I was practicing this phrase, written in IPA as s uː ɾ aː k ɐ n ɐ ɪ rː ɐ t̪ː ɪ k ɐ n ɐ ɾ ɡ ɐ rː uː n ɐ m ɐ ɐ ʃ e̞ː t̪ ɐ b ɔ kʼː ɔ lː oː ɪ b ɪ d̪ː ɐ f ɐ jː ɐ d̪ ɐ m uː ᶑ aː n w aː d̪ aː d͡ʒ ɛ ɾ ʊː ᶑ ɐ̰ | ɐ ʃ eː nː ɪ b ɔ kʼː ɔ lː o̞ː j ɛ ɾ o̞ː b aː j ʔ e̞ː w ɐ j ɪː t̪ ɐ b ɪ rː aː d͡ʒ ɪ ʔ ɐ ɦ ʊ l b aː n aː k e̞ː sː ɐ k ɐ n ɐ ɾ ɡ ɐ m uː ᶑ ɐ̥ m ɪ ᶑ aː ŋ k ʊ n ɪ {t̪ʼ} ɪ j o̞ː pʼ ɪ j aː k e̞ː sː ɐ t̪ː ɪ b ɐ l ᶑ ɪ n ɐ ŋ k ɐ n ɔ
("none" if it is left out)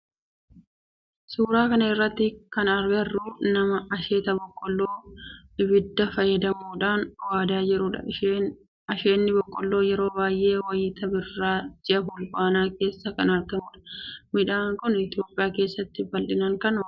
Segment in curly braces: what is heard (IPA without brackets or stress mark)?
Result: t̪